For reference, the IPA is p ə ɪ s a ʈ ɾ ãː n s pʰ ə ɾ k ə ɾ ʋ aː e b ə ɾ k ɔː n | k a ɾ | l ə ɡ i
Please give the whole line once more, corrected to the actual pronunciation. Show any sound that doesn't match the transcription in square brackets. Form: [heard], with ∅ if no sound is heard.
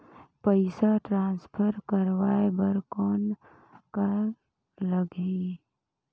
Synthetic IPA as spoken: p ə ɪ s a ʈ ɾ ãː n s pʰ ə ɾ k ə ɾ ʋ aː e b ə ɾ k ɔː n | k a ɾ | l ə ɡ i